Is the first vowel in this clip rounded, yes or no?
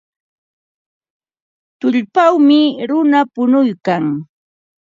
yes